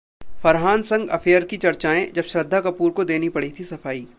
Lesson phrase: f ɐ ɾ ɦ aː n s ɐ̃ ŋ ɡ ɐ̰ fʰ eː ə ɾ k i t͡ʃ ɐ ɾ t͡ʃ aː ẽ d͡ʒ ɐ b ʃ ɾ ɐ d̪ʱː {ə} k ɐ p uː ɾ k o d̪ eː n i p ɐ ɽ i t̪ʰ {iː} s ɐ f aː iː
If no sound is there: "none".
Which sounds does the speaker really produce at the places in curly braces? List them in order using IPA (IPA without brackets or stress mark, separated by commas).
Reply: a, i